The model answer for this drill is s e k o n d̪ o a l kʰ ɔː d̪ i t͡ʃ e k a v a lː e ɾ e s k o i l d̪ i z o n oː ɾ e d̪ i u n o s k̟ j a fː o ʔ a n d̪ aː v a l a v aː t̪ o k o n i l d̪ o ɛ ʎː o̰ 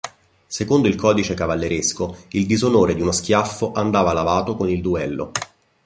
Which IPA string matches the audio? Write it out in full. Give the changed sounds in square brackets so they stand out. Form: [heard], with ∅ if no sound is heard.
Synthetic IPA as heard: s e k o n d̪ o [i] l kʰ ɔː d̪ i t͡ʃ e k a v a lː e ɾ e s k o i l d̪ i z o n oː ɾ e d̪ i u n o s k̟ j a fː o ʔ a n d̪ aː v a l a v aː t̪ o k o n i l d̪ [u] ɛ [lː] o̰